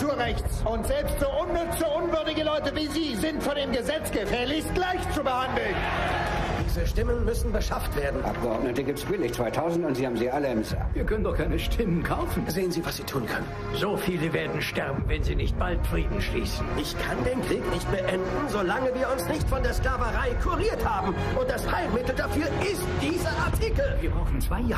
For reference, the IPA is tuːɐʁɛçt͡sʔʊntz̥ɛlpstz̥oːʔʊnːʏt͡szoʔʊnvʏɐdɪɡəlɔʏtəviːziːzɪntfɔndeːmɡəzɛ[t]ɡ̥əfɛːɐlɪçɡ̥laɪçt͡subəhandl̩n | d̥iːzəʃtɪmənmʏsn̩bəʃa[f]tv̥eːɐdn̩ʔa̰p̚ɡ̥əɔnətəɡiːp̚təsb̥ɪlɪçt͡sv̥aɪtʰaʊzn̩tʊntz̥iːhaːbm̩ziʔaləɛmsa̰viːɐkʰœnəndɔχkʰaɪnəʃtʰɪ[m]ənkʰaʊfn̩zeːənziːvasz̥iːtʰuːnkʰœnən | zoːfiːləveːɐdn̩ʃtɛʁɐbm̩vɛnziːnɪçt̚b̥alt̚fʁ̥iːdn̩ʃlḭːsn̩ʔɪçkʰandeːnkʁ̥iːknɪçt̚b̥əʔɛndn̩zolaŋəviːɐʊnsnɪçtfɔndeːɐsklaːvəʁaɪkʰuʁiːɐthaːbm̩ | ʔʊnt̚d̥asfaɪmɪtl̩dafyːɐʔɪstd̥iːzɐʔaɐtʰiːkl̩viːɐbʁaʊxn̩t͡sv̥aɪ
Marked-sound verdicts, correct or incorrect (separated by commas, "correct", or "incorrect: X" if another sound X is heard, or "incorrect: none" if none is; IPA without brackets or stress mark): incorrect: t͡s, correct, correct